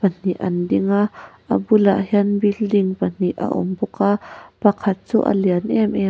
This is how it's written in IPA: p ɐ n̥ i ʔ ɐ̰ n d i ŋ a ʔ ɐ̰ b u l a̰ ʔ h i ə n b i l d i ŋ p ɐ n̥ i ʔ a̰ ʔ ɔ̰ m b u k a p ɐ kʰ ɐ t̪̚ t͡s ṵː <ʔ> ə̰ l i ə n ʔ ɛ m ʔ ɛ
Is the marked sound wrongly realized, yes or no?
no